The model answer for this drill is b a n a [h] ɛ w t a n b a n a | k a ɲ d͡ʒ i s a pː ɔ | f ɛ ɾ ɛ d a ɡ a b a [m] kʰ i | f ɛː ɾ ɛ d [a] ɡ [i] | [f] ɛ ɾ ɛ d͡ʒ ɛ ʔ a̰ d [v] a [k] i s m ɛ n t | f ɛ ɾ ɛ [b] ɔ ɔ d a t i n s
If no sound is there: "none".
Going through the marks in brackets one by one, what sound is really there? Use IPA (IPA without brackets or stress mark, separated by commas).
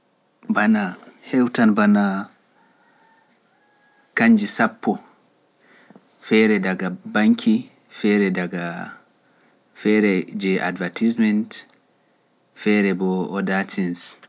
h, ŋ, a, a, f, v, t, b